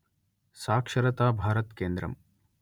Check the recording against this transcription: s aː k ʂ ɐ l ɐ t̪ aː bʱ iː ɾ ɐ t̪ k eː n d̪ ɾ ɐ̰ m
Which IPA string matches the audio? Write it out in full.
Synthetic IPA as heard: s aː k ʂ ɐ ɾ ɐ t̪ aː bʱ aː ɾ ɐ t̪ k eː n d̪ ɾ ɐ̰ m